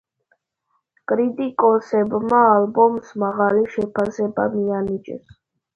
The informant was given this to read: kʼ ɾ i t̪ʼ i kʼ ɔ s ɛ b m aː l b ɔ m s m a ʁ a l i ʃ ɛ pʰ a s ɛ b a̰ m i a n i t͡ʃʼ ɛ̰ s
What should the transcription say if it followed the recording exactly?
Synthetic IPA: kʼ ɾ i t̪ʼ i kʼ ɔ s ɛ b m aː l b ɔ m s m a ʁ a l i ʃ ɛ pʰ a s ɛ b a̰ m i a n i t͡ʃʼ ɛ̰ s